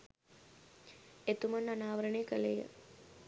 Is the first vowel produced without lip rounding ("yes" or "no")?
yes